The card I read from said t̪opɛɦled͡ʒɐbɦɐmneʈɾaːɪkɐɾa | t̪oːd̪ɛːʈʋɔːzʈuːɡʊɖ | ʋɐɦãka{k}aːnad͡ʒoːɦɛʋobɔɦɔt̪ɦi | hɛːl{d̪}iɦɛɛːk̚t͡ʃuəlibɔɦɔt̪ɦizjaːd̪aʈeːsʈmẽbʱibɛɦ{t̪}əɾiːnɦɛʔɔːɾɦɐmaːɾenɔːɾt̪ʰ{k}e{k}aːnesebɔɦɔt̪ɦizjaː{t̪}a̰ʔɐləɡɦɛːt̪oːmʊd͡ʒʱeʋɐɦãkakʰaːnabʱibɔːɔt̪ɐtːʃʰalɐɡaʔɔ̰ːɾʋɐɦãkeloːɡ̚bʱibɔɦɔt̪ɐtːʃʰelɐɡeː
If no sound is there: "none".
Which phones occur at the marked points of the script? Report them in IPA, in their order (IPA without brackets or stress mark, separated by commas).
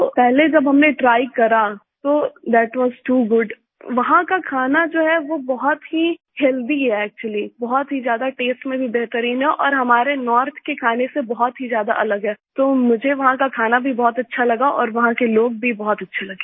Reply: kʰ, d̪, t̪, k, kʰ, d̪